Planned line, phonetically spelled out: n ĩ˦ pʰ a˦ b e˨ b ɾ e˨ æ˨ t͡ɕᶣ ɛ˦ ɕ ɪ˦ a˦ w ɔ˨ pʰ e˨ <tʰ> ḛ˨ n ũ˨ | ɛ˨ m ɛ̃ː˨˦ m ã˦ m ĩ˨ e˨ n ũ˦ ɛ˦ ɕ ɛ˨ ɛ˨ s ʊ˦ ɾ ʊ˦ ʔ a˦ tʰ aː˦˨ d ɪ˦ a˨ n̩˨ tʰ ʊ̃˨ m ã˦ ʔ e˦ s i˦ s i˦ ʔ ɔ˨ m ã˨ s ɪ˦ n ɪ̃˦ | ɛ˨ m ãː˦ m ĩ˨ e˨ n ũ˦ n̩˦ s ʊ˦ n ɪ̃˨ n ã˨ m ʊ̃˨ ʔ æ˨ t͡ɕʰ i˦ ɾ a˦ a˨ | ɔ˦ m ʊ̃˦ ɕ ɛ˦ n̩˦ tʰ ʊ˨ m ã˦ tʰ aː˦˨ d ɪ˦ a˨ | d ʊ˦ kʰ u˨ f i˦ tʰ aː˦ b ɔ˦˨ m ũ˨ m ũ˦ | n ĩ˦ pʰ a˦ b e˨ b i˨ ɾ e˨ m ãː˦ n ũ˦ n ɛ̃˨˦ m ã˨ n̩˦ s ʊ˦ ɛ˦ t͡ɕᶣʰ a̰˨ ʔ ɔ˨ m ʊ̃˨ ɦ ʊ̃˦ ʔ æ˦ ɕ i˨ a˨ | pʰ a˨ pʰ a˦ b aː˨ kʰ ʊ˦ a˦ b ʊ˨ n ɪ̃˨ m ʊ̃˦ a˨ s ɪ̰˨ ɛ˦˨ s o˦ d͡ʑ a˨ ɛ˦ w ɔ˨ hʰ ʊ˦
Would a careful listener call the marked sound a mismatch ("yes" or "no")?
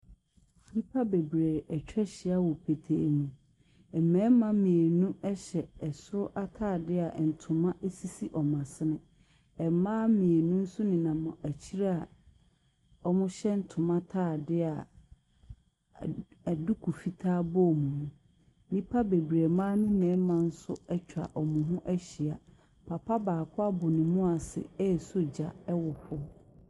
no